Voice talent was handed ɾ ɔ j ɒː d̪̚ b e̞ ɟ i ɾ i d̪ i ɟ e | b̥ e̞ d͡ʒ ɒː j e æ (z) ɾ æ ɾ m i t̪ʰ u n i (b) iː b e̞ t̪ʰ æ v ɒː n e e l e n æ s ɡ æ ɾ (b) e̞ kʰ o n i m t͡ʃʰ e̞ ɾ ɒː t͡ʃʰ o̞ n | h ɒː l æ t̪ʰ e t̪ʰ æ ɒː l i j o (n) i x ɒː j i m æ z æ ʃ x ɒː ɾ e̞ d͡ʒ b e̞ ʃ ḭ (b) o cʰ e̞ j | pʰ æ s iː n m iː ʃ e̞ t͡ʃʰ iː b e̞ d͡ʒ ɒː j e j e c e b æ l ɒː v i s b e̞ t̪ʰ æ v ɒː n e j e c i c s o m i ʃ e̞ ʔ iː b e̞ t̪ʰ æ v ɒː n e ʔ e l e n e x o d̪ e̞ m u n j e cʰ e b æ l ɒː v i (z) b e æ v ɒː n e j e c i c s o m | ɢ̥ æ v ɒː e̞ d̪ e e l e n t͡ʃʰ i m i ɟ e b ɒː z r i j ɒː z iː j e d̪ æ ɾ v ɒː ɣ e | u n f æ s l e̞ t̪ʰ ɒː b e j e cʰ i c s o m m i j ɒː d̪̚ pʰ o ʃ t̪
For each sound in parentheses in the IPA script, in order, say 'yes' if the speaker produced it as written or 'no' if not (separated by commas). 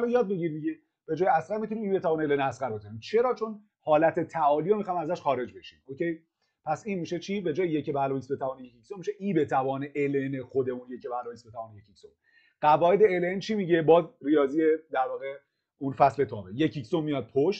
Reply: no, no, yes, no, no, no